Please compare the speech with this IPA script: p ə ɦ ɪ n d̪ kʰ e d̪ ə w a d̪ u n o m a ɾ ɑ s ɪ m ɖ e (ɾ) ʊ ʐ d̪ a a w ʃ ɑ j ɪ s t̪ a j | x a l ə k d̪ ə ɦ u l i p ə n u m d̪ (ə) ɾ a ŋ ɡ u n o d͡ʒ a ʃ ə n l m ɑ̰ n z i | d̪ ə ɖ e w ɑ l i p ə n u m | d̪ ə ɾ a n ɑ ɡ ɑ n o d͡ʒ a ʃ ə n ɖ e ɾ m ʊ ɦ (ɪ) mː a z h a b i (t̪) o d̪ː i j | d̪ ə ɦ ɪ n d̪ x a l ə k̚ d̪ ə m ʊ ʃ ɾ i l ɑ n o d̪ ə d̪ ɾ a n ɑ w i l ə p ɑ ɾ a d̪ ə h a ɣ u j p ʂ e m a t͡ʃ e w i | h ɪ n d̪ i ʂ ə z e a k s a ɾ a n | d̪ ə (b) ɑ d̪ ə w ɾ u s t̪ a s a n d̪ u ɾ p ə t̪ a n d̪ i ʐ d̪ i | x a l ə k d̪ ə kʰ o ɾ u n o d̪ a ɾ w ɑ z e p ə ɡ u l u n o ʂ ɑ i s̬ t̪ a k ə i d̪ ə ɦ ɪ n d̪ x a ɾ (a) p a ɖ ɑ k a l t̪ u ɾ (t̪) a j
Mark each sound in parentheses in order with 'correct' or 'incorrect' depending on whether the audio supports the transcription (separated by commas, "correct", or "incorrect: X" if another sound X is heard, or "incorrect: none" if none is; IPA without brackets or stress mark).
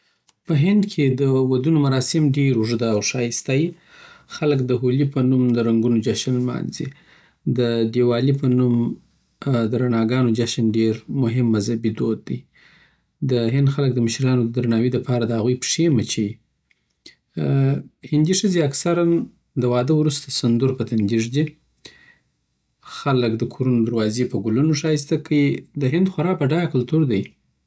correct, correct, correct, incorrect: d̪, incorrect: w, incorrect: ɑ, incorrect: d̪